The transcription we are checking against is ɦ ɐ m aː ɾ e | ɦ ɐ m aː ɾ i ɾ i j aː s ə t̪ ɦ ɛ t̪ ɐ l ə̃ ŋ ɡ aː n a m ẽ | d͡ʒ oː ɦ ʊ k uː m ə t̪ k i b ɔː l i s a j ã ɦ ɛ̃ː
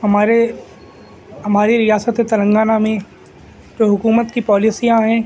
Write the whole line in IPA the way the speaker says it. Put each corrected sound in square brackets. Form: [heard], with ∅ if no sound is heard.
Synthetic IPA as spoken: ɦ ɐ m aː ɾ e | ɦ ɐ m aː ɾ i ɾ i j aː s ə t̪ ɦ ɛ t̪ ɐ l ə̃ ŋ ɡ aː n a m ẽ | d͡ʒ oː ɦ ʊ k uː m ə t̪ k i [p] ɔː l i s [i] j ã ɦ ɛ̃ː

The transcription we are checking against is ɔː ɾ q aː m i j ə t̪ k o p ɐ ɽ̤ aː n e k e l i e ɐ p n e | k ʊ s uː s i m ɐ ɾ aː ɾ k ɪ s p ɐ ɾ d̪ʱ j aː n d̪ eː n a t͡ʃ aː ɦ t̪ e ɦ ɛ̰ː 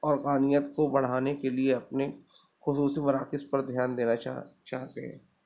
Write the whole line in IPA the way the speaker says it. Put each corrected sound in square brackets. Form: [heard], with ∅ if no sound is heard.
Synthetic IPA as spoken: ɔː ɾ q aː [n] i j ə t̪ k o [b] ɐ ɽ̤ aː n e k e l i e ɐ p n e | [x] ʊ s uː s i m ɐ ɾ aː [∅] k ɪ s p ɐ ɾ d̪ʱ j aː n d̪ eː n a t͡ʃ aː ɦ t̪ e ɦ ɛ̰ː

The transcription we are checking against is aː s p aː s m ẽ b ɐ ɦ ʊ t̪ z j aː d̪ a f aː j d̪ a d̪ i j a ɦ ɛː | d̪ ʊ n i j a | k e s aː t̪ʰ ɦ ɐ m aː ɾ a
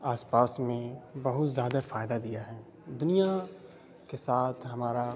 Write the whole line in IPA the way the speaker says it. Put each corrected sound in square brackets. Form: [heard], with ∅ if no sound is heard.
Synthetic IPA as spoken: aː s p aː s m ẽ b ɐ ɦ ʊ t̪ z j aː d̪ a f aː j d̪ a d̪ i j a ɦ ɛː | d̪ ʊ n i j a | k e s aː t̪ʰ ɦ ɐ m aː ɾ a

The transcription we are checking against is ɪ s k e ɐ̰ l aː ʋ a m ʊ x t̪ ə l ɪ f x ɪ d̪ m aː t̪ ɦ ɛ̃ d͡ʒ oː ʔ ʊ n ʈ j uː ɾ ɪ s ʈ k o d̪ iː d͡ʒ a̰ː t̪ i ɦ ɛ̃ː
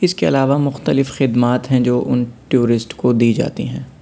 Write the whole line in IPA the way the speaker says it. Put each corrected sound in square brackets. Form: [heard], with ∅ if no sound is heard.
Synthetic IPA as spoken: ɪ s k e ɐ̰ l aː ʋ a m ʊ x t̪ ə l ɪ f x ɪ d̪ m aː t̪ ɦ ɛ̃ d͡ʒ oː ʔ ʊ n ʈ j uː ɾ ɪ s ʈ k o d̪ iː d͡ʒ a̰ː t̪ i ɦ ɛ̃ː

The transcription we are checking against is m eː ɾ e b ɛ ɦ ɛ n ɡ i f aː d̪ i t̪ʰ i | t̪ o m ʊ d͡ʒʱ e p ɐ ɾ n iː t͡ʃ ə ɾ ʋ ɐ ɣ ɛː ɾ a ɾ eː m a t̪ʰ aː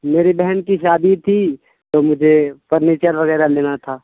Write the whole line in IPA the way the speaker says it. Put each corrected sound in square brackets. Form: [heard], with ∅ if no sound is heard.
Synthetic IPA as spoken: m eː ɾ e b ɛ ɦ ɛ n [k] i [ʃ] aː d̪ i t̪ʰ i | t̪ o m ʊ d͡ʒʱ e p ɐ ɾ n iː t͡ʃ ə ɾ ʋ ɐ ɣ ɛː ɾ a [l] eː [n] a t̪ʰ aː

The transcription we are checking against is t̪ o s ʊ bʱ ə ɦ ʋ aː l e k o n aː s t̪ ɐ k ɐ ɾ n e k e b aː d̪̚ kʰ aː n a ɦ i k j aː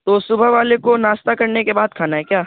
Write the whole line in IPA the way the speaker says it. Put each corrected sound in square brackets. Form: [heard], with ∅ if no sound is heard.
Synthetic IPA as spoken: t̪ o s ʊ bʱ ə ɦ ʋ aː l e k o n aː s t̪ [a] k ɐ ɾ n e k e b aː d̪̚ kʰ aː n a ɦ [ɛ] k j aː

